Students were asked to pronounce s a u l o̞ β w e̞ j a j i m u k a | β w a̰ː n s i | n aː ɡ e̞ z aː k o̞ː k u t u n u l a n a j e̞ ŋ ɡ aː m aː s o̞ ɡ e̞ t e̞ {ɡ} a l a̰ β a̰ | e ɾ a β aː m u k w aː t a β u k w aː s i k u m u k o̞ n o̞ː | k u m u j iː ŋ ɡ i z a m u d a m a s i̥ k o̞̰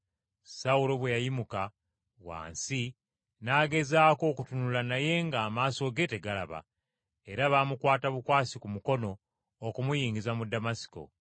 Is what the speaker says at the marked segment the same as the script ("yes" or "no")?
yes